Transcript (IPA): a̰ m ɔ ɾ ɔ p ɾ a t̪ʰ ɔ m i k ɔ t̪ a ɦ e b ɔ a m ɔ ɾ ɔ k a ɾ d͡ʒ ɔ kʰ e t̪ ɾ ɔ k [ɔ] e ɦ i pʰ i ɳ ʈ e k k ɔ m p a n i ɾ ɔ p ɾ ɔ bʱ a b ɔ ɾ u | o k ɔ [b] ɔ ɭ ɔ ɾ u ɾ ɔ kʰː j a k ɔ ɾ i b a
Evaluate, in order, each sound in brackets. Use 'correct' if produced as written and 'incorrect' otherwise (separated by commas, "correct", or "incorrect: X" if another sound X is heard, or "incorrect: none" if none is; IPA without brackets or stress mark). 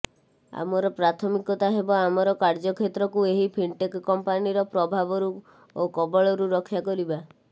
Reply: incorrect: u, correct